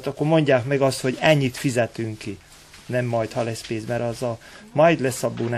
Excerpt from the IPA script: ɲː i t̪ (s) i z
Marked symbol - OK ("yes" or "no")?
no